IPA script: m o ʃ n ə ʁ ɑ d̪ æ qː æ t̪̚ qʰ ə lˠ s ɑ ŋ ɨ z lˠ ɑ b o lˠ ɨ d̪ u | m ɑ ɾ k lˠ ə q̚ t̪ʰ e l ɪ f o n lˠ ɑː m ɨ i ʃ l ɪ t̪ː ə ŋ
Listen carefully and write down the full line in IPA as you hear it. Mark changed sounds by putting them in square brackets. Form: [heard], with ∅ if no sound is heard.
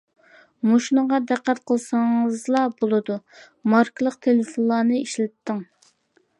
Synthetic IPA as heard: m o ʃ n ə ʁ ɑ d̪ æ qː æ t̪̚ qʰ ə lˠ s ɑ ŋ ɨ z lˠ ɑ b o lˠ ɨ d̪ u | m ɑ ɾ k lˠ ə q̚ t̪ʰ e l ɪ f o n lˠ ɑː [n] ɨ i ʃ l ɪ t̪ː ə ŋ